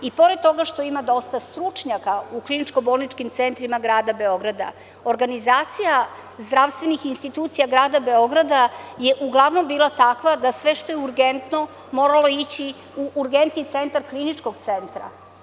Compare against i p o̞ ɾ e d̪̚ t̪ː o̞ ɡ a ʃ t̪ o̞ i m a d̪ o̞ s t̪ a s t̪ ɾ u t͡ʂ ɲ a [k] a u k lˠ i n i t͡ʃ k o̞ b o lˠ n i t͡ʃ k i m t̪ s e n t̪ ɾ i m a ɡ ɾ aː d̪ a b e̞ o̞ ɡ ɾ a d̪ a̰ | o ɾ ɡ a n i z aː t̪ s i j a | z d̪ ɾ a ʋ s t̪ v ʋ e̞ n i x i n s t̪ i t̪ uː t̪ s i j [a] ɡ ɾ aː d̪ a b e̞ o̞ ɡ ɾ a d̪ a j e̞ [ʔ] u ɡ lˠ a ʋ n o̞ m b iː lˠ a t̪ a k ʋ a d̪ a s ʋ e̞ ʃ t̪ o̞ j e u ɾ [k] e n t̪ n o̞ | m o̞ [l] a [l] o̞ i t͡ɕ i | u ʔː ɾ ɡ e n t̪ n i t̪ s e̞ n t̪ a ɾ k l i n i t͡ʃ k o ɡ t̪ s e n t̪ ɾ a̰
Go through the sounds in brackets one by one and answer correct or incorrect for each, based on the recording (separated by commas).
correct, correct, correct, incorrect, incorrect, correct